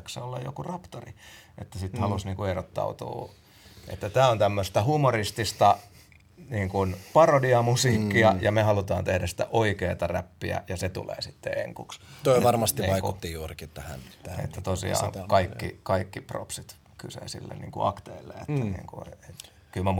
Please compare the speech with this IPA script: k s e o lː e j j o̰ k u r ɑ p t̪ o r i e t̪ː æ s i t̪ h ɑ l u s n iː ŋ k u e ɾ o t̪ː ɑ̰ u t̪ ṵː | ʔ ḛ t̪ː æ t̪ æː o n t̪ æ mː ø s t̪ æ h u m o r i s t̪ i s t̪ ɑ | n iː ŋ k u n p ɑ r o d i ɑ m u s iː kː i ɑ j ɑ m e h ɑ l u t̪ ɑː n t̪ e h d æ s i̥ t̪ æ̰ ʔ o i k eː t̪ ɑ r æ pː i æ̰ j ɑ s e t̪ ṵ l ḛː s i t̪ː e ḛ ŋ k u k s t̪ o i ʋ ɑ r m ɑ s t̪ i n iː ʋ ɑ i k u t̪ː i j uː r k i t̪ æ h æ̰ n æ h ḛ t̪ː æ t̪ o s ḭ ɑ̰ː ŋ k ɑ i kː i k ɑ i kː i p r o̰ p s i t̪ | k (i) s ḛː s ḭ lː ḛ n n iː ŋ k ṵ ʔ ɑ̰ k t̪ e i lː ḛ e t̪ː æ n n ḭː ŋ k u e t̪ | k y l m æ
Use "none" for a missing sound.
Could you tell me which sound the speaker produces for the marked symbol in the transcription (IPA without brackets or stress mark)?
y